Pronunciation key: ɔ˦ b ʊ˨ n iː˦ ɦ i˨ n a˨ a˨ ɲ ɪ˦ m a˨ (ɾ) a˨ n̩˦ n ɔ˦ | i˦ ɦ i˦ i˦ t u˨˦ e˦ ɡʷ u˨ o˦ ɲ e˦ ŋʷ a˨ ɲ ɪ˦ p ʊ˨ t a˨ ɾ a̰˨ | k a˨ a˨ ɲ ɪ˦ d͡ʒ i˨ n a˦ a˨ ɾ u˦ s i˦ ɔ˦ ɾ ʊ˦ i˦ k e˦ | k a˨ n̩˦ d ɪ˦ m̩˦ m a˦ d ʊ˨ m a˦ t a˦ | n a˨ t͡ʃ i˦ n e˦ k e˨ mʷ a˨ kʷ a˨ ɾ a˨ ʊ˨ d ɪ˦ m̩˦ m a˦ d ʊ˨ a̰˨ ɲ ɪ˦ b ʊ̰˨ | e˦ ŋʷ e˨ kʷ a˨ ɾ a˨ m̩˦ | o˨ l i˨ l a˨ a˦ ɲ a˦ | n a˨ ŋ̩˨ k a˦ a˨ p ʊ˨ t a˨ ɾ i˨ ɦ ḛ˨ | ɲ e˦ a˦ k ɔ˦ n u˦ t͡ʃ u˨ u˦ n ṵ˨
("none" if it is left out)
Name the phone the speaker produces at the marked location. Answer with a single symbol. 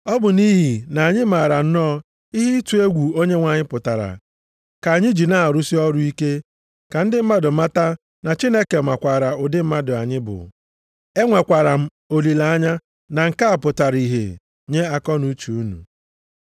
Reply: ɾ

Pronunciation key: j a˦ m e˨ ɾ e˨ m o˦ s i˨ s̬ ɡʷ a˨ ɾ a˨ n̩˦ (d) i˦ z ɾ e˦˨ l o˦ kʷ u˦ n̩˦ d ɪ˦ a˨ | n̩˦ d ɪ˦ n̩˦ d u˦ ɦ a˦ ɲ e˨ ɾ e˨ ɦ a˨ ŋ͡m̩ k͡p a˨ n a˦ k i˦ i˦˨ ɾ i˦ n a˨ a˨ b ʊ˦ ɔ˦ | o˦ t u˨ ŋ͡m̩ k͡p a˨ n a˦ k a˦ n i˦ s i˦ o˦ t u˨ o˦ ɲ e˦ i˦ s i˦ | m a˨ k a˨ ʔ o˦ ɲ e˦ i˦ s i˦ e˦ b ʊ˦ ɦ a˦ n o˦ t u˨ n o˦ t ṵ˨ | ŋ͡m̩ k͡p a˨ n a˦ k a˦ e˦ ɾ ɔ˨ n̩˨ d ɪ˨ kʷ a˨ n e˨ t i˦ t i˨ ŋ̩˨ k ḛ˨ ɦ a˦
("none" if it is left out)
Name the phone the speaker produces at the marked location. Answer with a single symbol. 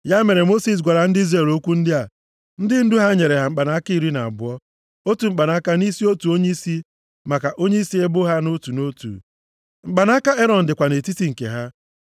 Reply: d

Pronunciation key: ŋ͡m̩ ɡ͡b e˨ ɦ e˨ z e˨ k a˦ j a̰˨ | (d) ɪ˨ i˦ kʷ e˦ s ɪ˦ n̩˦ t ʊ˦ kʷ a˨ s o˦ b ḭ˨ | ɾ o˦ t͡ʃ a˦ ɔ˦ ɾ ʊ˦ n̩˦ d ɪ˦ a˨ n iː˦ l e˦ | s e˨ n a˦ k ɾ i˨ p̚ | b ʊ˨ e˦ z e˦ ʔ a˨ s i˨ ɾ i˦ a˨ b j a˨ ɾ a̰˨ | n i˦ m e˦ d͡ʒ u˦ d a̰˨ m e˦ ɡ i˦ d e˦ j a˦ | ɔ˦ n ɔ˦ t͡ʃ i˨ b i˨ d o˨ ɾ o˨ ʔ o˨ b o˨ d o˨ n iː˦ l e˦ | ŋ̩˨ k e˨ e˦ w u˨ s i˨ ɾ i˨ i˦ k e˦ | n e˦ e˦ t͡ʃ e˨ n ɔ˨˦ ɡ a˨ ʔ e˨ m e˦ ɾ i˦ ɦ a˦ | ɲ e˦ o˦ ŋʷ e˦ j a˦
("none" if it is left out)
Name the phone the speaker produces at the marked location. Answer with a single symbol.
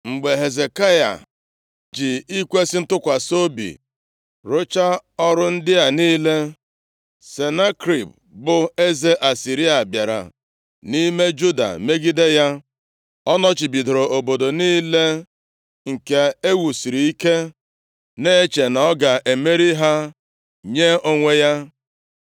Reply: d͡ʒ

